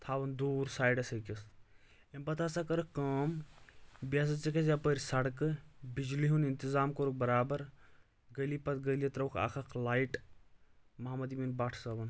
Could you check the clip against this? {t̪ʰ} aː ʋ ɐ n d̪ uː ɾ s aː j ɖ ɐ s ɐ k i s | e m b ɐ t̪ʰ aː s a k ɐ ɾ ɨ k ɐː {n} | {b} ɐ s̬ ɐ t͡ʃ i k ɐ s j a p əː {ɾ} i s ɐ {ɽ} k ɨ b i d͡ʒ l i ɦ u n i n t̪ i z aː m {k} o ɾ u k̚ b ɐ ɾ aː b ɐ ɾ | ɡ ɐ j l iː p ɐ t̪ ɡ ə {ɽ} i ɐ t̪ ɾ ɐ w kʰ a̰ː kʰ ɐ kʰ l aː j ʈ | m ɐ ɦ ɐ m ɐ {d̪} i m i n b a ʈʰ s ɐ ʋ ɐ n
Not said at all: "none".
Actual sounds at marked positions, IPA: t̪ʰ, m, b, ɾ, ɽ, k, l, d̪

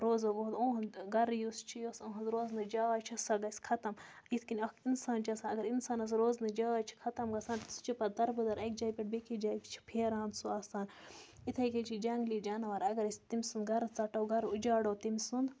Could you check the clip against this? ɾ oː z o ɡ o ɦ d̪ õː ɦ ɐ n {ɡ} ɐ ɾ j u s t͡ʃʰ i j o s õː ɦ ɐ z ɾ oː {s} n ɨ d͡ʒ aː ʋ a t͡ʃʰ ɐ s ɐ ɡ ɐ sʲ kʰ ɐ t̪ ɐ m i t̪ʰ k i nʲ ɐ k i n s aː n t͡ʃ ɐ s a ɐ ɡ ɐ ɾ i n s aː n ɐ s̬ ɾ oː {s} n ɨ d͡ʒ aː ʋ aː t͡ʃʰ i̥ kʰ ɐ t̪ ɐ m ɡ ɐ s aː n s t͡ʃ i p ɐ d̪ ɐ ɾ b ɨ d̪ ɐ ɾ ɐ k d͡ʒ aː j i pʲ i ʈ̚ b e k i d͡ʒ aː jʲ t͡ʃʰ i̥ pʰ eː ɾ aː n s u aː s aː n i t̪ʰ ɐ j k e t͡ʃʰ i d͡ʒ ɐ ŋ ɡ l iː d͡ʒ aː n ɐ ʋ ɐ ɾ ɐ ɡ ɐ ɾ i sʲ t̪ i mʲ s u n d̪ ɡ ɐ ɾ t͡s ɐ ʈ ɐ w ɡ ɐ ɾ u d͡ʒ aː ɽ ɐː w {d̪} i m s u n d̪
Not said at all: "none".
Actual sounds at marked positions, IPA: ɡ, z, z, t̪

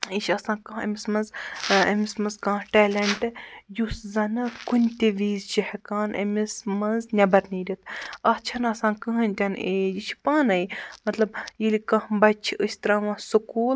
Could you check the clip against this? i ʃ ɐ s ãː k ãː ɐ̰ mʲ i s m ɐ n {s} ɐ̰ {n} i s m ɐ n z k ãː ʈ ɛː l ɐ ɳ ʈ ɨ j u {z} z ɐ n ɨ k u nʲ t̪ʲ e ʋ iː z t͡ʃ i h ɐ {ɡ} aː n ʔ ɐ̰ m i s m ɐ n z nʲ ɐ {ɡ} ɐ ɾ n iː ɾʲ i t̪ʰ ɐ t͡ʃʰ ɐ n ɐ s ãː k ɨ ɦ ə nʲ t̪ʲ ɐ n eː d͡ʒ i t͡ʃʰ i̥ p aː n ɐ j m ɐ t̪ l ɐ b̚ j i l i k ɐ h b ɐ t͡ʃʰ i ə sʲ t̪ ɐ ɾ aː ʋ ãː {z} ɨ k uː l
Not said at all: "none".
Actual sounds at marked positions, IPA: z, m, s, k, b, s

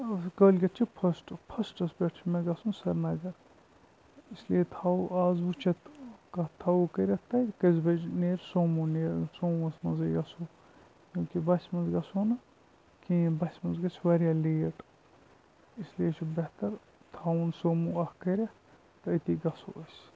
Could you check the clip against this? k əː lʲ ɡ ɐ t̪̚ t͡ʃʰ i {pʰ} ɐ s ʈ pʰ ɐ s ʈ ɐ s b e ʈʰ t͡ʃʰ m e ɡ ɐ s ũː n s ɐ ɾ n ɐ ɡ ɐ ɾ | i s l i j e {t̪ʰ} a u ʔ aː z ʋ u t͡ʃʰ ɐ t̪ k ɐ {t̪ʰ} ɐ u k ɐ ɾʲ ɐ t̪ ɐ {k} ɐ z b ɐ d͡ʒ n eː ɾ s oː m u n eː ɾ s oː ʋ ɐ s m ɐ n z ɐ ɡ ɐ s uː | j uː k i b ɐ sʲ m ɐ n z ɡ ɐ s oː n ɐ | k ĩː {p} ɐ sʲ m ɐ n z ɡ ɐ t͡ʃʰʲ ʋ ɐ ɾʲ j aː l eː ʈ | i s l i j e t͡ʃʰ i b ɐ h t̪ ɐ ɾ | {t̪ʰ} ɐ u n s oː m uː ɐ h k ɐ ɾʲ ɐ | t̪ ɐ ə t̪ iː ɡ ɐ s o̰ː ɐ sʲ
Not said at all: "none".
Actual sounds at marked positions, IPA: pʰ, t̪ʰ, t̪ʰ, k, b, t̪ʰ

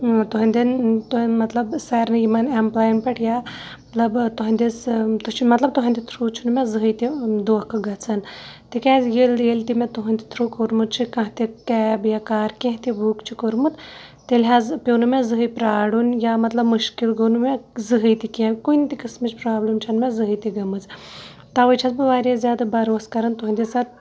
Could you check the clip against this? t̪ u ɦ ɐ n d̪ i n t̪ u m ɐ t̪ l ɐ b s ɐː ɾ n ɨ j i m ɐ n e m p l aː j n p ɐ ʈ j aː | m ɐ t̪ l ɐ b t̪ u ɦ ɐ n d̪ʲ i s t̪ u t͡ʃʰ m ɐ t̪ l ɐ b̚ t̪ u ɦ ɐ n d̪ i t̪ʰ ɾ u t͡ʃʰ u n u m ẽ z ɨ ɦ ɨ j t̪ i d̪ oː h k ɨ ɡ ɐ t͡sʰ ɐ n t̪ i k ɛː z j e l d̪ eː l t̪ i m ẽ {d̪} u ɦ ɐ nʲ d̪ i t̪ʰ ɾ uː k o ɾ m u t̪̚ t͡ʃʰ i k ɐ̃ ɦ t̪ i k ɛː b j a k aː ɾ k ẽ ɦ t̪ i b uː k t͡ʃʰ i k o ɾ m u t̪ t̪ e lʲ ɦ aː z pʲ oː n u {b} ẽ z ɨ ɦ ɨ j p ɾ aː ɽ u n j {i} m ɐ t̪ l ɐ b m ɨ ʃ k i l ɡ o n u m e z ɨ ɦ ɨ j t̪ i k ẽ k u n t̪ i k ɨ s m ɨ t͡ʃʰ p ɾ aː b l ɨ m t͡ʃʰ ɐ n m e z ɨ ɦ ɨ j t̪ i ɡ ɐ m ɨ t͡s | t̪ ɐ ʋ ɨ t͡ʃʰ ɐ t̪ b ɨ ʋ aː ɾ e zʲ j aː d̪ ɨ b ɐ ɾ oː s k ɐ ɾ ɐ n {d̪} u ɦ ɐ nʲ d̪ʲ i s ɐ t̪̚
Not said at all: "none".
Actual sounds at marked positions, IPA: t̪, m, a, t̪

